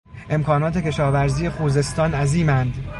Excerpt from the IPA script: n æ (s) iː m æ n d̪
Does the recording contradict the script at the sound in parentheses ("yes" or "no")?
yes